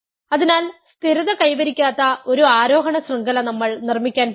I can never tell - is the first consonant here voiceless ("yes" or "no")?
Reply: no